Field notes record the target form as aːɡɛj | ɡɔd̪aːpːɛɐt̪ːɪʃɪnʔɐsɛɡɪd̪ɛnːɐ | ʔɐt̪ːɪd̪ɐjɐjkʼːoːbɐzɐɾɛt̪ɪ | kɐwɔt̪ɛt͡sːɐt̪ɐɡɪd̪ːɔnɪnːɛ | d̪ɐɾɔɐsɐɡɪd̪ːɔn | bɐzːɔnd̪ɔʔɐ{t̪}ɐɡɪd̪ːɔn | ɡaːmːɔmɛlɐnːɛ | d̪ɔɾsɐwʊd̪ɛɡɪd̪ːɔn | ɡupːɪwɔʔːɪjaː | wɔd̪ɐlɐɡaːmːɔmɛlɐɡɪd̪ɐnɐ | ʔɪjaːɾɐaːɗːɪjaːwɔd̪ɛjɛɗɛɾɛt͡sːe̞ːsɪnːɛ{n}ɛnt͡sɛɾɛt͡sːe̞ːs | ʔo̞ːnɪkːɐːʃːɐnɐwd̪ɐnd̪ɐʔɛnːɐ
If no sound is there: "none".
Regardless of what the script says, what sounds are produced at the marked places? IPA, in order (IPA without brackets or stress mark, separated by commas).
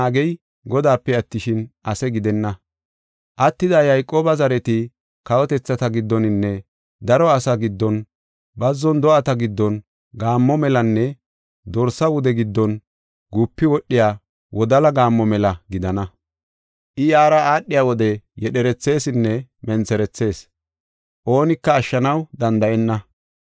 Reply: t̪, m